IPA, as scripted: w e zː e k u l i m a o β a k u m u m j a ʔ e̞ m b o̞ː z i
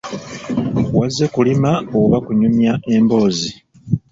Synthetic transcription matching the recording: w a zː e k u l i m a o β a k u ɲ u m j a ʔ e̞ m b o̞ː z i